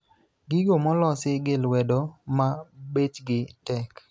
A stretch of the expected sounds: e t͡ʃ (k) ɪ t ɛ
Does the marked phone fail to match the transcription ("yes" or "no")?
yes